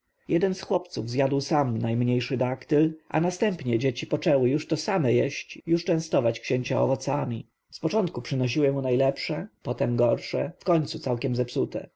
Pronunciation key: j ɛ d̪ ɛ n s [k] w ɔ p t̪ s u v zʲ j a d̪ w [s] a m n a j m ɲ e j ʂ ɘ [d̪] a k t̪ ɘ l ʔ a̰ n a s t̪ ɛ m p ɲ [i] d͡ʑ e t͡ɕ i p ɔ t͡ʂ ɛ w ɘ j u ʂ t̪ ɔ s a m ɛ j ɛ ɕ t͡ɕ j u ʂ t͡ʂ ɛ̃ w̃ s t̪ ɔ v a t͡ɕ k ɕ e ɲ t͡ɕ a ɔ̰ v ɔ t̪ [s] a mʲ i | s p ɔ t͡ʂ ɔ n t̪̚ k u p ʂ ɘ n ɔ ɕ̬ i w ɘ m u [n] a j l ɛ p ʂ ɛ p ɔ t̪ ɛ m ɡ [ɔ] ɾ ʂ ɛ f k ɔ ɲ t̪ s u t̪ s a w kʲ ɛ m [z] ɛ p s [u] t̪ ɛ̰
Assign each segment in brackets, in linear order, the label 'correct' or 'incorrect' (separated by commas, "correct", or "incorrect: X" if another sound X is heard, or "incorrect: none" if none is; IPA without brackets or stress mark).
incorrect: x, correct, correct, incorrect: ɛ, correct, correct, correct, correct, correct